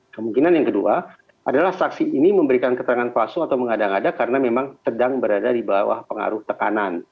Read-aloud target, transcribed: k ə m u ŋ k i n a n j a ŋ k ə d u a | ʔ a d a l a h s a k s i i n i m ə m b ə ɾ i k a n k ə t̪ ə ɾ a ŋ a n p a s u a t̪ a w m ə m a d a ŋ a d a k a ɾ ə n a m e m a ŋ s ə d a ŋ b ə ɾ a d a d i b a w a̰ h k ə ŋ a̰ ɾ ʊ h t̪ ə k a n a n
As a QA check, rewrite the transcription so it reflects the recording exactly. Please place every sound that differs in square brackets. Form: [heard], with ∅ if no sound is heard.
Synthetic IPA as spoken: k ə m u ŋ k i n a n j a ŋ k ə d u a | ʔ a d a l a h s a k s i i n i m ə m b ə ɾ i k a n k ə t̪ ə ɾ a ŋ a n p a s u a t̪ a w m ə [ŋ] a d a ŋ a d a k a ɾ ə n a m e m a ŋ s ə d a ŋ b ə ɾ a d a d i b a w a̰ h [p] ə ŋ a̰ ɾ ʊ h t̪ ə k a n a n